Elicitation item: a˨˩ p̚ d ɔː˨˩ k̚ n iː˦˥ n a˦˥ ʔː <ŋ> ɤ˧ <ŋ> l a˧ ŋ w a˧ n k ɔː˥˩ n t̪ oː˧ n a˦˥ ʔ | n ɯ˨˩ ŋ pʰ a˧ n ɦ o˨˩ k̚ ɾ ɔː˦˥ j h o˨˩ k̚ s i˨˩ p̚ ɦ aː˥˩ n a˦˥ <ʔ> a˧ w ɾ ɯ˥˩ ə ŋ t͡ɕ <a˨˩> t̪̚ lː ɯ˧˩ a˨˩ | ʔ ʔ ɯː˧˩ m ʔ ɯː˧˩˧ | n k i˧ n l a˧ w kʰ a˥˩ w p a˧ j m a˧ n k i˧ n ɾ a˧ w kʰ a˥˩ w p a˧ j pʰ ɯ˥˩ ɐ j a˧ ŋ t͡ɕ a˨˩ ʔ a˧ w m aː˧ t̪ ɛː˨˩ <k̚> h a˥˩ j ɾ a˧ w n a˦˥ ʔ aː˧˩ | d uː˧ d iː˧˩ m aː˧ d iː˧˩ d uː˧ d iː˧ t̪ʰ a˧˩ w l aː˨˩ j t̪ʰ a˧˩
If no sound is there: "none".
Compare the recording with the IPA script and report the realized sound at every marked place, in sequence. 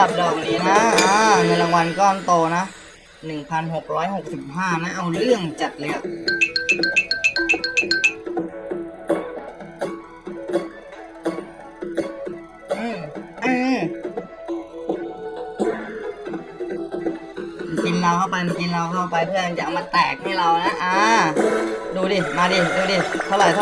ŋ, n, ʔ, a˨˩, k̚

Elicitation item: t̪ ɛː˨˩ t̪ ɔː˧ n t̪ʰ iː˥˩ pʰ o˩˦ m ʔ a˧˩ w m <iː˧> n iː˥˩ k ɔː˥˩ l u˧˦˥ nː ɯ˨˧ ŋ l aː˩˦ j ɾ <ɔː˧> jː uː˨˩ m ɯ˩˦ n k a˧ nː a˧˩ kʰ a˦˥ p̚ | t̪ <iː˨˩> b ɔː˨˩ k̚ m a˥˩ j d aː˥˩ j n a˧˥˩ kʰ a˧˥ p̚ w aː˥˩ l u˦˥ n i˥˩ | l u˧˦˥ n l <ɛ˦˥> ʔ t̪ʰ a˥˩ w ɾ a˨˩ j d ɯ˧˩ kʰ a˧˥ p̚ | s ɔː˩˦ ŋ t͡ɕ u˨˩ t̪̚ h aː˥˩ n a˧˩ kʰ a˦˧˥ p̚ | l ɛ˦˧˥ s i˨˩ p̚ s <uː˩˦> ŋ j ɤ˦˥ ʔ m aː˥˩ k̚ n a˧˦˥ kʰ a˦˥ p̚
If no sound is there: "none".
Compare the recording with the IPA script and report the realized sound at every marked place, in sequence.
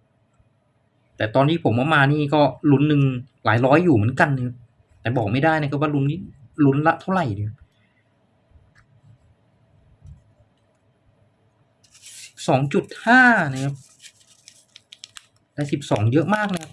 aː˧, ɔː˦˥, ɛː˨˩, a˦˥, ɔː˩˦

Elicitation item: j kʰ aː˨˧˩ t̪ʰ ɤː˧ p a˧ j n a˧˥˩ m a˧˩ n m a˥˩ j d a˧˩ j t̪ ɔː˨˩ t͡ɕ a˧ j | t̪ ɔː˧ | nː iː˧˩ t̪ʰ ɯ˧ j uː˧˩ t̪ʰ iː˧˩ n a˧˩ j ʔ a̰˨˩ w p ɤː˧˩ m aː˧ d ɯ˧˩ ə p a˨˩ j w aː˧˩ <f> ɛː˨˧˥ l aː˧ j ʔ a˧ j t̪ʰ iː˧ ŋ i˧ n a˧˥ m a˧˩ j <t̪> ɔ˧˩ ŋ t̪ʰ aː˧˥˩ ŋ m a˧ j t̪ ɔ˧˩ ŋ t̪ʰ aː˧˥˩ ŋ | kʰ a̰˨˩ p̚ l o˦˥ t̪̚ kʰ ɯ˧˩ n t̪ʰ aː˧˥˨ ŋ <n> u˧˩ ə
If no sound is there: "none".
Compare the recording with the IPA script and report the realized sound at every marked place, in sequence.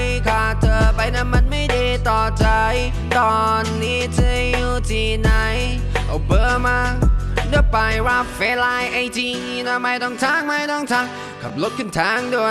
f, t̪, d

